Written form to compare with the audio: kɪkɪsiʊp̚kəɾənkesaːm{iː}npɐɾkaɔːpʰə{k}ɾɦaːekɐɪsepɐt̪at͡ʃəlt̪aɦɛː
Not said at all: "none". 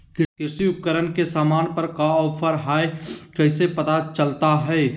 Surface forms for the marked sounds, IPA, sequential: aː, none

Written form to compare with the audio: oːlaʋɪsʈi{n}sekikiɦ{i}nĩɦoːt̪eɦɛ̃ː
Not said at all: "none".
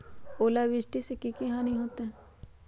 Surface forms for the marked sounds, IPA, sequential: none, a

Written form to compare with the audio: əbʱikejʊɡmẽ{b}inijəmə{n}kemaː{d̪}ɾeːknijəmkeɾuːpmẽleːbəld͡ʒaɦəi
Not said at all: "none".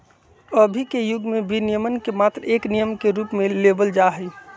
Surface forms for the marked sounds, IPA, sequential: b, n, t̪

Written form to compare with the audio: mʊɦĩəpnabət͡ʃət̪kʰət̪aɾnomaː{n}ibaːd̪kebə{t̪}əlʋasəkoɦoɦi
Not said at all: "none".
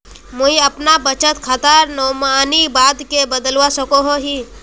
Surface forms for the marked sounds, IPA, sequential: n, d̪

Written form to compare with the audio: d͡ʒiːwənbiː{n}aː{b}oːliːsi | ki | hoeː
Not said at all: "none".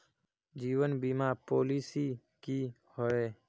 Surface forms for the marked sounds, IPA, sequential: m, p

